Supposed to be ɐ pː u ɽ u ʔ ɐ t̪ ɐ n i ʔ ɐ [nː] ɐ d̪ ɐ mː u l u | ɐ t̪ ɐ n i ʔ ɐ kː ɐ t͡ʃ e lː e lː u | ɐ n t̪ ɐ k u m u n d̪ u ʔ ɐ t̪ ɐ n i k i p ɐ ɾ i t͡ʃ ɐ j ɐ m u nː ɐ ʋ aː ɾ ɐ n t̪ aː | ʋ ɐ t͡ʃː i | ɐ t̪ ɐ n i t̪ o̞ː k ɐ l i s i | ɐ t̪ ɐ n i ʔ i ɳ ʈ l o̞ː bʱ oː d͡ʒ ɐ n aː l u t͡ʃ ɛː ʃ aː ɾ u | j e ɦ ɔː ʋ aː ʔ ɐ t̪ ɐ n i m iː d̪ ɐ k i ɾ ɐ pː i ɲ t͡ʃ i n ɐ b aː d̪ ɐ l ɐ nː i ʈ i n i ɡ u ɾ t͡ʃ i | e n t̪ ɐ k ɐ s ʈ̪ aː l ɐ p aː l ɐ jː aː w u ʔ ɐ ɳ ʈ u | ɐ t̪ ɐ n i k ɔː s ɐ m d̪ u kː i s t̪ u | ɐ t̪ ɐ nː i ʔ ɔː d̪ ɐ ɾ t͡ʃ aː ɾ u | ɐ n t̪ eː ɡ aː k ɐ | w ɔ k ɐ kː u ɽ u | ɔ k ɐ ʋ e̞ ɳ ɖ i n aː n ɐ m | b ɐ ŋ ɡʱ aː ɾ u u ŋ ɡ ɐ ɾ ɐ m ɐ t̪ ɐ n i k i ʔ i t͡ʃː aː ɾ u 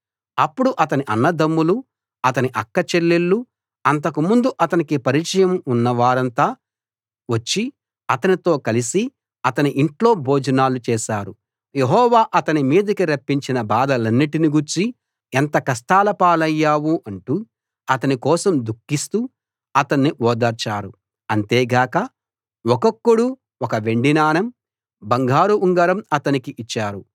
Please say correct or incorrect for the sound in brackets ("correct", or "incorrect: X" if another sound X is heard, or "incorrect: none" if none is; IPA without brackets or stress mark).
correct